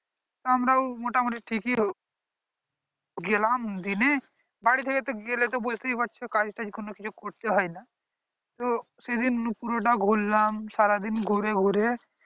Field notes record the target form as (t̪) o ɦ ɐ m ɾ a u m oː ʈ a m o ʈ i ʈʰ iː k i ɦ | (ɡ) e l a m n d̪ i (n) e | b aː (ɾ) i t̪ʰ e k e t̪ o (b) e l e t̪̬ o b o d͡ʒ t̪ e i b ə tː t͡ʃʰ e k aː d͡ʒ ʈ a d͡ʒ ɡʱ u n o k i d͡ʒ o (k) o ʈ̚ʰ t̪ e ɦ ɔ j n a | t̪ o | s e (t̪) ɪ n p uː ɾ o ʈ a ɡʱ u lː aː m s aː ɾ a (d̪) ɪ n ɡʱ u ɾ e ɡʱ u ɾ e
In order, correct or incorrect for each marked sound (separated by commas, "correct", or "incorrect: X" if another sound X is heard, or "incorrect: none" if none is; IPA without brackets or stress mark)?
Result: correct, correct, correct, incorrect: ɽ, incorrect: ɡ, correct, incorrect: d̪, correct